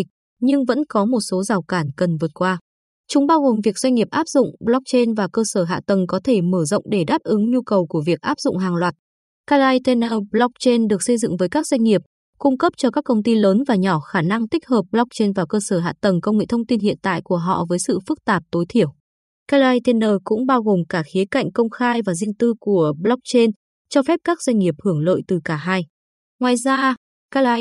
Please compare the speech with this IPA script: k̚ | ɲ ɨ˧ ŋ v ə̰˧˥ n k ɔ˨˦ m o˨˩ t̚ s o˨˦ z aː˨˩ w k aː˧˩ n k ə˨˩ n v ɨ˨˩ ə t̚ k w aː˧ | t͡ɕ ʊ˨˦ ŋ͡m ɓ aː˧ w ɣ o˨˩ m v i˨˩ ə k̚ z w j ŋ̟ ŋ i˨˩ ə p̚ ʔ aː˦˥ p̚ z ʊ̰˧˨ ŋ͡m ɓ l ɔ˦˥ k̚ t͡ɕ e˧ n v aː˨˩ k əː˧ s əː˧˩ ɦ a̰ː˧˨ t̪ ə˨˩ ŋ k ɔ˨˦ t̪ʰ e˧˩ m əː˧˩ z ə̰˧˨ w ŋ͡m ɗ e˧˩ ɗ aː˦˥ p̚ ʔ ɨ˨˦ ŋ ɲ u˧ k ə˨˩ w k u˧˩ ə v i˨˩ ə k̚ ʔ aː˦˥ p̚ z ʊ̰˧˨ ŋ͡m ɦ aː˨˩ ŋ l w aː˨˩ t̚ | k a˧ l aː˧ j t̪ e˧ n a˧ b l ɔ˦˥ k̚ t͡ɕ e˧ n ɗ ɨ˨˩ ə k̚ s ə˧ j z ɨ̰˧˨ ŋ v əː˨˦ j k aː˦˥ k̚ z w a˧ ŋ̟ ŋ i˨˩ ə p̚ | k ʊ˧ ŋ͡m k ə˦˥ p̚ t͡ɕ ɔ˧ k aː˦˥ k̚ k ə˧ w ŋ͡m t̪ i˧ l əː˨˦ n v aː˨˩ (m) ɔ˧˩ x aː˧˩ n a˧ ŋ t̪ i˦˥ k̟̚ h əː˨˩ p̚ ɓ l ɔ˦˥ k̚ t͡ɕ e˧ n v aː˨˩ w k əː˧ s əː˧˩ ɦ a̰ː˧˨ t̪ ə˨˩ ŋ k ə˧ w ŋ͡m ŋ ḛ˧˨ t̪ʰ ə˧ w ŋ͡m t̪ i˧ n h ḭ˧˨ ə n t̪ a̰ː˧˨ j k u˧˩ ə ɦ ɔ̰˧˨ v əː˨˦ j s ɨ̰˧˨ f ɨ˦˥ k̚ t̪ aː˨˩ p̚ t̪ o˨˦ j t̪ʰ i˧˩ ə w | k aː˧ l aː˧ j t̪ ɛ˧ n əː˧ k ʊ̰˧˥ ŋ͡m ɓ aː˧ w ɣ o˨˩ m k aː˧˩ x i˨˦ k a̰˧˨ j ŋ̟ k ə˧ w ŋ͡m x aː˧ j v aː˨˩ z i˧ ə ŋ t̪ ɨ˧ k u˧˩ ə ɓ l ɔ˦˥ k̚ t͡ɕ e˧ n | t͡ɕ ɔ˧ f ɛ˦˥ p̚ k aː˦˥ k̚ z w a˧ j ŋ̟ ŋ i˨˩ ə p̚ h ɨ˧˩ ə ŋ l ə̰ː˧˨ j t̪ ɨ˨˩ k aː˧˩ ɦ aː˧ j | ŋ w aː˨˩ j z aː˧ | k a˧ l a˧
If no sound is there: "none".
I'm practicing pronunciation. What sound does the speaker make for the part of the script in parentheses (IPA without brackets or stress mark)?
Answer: ɲ